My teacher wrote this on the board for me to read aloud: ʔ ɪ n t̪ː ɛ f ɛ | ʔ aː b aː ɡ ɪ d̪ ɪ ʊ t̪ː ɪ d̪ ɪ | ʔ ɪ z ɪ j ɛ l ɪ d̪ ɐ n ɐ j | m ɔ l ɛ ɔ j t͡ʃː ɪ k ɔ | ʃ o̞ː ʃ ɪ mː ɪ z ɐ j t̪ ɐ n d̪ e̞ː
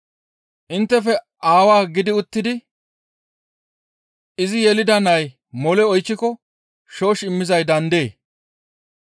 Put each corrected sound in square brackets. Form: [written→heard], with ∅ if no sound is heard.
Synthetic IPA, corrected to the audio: ʔ ɪ n t̪ː ɛ f ɛ | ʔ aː [b→w] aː ɡ ɪ d̪ ɪ ʊ t̪ː ɪ d̪ ɪ | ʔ ɪ z ɪ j ɛ l ɪ d̪ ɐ n ɐ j | m ɔ l ɛ ɔ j t͡ʃː ɪ k ɔ | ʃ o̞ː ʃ ɪ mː ɪ z ɐ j [t̪→d̪] ɐ n d̪ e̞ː